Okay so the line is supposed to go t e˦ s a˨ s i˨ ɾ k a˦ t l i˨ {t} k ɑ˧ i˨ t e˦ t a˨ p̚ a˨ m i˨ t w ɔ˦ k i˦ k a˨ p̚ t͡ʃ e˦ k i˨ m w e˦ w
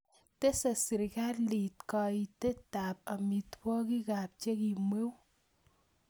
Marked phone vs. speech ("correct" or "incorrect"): correct